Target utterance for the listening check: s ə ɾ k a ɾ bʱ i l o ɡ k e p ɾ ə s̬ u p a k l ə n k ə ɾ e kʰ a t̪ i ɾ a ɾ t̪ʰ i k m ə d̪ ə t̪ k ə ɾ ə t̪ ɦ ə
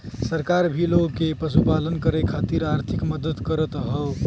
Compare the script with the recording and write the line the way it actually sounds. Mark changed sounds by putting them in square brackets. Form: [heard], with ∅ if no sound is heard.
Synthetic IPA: s ə ɾ k a ɾ bʱ i l o ɡ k e p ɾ ə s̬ u p a [∅] l ə n k ə ɾ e kʰ a t̪ i ɾ a ɾ t̪ʰ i k m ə d̪ ə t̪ k ə ɾ ə t̪ ɦ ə